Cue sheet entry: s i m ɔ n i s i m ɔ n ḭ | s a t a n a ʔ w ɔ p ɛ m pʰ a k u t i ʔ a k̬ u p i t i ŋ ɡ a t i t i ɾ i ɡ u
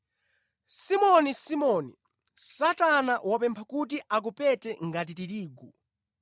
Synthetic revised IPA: s i m ɔ n i s i m ɔ n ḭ | s a t a n a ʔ w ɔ p ɛ m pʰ a k u t i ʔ a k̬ u p ɛ t ɛ ŋ ɡ a t i t i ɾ iː ɡ u